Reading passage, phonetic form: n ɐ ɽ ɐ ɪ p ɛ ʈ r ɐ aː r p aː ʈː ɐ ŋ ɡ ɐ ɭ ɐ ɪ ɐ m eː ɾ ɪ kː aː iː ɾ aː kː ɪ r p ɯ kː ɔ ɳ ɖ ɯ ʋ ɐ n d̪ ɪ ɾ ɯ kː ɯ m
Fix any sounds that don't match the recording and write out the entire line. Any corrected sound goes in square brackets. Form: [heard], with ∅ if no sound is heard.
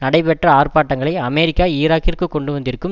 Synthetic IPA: n ɐ ɽ ɐ ɪ p ɛ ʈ r ɐ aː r p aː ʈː ɐ ŋ ɡ ɐ ɭ ɐ ɪ ɐ m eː ɾ ɪ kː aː iː ɾ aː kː ɪ r [k] ɯ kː ɔ ɳ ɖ ɯ ʋ ɐ n d̪ ɪ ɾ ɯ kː ɯ m